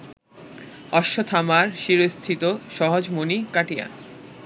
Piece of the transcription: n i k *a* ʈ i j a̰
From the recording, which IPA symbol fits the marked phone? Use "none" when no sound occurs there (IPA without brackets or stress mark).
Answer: a